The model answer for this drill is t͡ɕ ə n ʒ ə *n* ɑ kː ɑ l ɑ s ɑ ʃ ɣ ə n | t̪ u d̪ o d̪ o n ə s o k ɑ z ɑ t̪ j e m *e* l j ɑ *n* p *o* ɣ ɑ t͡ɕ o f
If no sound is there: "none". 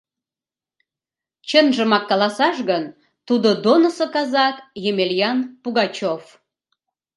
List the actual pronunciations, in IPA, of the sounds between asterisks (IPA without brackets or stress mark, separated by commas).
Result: m, e, n, u